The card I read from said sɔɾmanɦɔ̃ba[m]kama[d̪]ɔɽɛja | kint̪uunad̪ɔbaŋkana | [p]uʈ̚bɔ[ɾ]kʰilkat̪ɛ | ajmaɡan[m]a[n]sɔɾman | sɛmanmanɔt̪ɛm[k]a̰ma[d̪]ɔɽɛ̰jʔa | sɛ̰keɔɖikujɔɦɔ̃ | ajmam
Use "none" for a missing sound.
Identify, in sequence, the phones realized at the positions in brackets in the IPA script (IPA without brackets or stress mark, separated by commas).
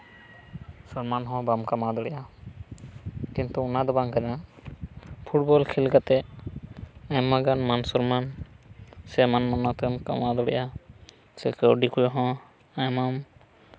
m, d̪, pʰ, l, m, n, k, d̪